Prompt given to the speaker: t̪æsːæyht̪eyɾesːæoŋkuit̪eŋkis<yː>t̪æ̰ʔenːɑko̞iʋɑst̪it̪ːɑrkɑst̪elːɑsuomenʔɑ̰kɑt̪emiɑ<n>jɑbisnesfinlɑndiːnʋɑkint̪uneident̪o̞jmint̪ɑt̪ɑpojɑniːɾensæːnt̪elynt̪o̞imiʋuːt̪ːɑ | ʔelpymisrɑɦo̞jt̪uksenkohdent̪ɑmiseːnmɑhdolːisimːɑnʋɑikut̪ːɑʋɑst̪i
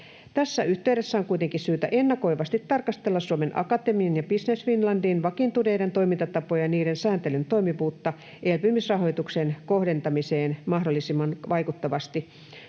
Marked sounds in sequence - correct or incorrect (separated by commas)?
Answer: correct, correct